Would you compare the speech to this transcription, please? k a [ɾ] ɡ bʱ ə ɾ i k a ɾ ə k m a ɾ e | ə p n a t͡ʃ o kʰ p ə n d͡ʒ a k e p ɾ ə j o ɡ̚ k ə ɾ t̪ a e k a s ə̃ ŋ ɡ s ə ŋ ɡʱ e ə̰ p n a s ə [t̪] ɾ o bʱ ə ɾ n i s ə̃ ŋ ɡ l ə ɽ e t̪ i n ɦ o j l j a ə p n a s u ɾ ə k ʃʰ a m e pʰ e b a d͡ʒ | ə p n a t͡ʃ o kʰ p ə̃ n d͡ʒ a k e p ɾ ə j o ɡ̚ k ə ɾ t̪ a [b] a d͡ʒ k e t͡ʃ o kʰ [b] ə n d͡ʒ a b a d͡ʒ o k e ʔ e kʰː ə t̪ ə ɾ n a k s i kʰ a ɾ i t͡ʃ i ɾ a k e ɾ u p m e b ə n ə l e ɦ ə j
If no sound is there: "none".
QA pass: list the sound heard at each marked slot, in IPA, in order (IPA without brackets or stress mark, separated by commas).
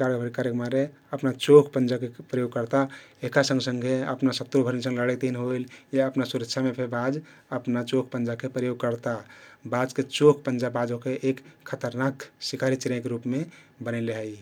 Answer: ɾ, t̪, b, p